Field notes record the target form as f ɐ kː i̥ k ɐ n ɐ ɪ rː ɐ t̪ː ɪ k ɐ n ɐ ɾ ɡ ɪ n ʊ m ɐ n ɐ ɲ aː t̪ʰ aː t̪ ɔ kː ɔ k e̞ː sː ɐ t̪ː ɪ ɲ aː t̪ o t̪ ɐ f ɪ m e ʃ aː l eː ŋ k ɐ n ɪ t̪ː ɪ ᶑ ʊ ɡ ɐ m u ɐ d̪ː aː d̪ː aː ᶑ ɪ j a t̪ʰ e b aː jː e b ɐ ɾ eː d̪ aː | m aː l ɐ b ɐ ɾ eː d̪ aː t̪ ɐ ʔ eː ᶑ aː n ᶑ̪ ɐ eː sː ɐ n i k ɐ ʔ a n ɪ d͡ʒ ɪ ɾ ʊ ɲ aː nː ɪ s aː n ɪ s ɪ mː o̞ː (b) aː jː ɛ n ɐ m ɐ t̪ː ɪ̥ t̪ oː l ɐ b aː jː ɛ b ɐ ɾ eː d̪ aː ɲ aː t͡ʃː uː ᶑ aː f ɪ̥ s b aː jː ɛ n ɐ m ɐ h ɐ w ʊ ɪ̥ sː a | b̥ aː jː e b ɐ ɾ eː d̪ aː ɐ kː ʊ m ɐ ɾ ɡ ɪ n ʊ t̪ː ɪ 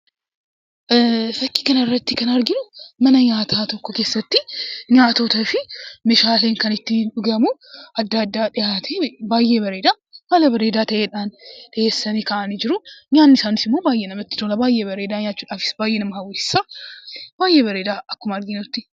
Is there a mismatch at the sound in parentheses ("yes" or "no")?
no